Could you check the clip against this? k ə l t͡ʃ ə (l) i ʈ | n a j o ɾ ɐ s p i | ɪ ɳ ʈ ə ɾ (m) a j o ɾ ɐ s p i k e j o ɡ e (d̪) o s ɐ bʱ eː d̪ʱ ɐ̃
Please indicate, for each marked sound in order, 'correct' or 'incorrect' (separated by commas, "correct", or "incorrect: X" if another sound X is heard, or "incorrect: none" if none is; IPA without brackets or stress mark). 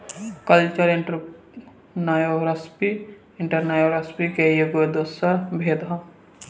incorrect: ɾ, incorrect: n, correct